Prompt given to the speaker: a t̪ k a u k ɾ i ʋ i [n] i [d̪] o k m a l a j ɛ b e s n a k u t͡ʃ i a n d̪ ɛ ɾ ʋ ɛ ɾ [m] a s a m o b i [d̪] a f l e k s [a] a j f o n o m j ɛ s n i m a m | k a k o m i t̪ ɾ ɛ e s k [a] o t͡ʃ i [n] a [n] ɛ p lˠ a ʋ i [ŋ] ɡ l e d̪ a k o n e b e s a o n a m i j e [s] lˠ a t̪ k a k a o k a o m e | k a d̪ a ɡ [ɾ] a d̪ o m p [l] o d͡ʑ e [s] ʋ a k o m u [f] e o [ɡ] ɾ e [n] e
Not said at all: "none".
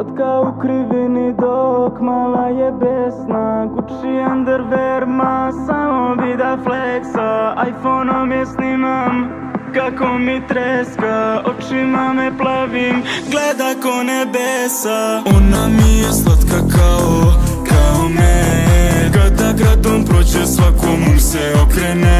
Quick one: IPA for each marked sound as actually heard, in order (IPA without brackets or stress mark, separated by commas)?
n, d̪, m, d̪, a, a, m, m, m, s, ɾ, ɾ, s, s, k, n